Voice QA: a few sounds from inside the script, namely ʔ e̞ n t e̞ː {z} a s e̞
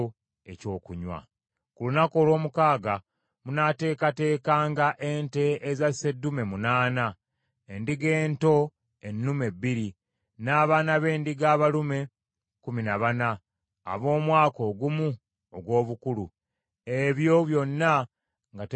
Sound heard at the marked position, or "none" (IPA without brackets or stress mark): z